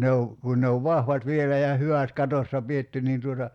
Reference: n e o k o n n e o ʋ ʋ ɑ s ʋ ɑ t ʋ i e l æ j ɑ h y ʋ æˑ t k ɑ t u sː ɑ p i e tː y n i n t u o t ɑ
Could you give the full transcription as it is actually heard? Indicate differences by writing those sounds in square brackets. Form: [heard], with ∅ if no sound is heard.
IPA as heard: n e o k [u] n n e o ʋ ʋ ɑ [h] ʋ ɑ t ʋ i e l æ j ɑ h y ʋ æˑ t k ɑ t [o] sː ɑ p i e tː y n [iː] n t u o t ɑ

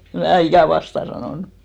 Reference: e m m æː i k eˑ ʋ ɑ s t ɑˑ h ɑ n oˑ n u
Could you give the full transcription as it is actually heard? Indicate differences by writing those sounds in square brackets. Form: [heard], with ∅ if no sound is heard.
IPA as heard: e m m æː i k [æˑ] ʋ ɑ s t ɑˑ [s] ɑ n oˑ n u

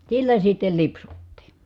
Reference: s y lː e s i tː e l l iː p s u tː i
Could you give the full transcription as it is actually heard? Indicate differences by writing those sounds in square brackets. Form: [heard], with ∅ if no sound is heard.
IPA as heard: s [i] lː [æ] s i tː e l l [i] p s u tː [iː]

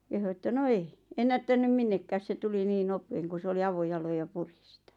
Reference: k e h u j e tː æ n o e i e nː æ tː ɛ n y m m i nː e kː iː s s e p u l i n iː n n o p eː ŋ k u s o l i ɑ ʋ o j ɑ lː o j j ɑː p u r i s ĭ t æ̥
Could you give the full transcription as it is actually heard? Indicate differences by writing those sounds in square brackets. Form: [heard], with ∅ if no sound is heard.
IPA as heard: k e h u [∅] e tː æ n o e i e nː æ tː [æ] n y m m i nː e kː [æː] s s e [t] u l i n iː n n o p eː ŋ k u s o l i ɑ ʋ o j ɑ [l] o j j [ɑ] p u r i s ĭ t æ̥

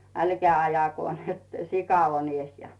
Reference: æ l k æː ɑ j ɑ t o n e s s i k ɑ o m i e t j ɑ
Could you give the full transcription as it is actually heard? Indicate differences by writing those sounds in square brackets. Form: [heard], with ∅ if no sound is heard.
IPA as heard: æ l k æː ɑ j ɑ [k] o n e [t] s i k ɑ o [n] i e [s] j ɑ

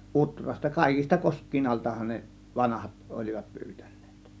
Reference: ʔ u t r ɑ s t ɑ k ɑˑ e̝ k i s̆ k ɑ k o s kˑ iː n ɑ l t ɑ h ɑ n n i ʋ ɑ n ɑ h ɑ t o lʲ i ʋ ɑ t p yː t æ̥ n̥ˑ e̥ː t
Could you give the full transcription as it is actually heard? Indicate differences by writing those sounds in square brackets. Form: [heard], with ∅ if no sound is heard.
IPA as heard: ʔ u t r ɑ s t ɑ k ɑˑ e̝ k i s̆ [t] ɑ k o s kˑ iː n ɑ l t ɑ h ɑ n n [e] ʋ ɑ n ɑ h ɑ t o lʲ i ʋ ɑ t p yː t æ̥ n̥ˑ e̥ː t

